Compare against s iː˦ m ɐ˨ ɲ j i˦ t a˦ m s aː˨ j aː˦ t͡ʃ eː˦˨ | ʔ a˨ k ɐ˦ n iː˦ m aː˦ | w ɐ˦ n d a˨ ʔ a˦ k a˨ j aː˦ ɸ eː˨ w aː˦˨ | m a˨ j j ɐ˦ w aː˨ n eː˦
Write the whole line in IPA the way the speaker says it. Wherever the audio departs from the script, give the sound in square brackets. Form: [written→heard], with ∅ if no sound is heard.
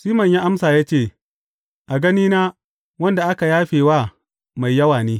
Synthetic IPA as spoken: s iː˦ m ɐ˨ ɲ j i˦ [t→ʔ] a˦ m s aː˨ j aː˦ t͡ʃ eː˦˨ | ʔ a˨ [k→ɡ] ɐ˦ n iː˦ [m→n] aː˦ | w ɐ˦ n d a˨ ʔ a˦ k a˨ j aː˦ ɸ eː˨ w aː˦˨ | m a˨ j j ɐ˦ w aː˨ n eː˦